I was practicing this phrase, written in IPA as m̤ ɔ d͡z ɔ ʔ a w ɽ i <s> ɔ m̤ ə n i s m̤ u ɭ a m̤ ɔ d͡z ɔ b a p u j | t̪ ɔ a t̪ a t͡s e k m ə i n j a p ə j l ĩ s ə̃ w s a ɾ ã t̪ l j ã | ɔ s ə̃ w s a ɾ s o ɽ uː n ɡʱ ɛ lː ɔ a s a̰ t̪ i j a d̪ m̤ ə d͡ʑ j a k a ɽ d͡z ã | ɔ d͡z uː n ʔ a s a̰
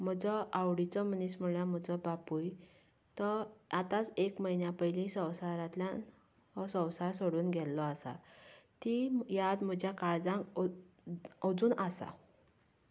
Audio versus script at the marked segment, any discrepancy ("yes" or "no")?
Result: yes